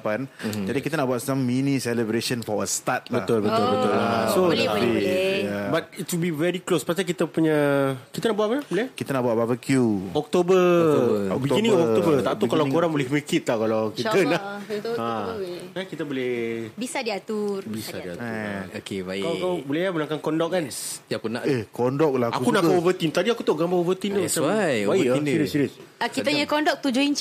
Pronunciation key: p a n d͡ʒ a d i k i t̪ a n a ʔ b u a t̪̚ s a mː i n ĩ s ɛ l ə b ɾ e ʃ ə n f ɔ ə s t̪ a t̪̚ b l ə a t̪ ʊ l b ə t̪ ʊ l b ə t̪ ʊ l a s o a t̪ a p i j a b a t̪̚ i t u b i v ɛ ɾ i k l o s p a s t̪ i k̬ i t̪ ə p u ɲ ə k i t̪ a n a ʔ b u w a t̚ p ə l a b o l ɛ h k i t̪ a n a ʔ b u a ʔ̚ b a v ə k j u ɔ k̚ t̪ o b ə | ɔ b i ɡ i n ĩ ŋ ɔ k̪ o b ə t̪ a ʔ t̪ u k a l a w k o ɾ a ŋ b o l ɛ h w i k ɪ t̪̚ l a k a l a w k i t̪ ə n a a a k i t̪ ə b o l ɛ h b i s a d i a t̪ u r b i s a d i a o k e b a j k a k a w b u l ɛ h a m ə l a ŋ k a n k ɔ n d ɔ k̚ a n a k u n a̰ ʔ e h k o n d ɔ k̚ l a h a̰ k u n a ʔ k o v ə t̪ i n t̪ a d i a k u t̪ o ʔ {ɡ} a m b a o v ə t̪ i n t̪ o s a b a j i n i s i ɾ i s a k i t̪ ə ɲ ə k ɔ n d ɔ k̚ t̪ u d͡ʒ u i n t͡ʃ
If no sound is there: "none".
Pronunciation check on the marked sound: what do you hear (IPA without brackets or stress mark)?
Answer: ɡ